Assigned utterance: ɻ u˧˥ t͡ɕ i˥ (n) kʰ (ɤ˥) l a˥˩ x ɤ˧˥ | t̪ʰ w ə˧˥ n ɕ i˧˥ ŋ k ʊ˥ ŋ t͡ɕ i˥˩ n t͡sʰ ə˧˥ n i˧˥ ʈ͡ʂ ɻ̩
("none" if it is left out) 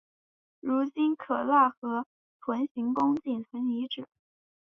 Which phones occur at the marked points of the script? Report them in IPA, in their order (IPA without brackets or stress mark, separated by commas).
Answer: n, ɤ˨˩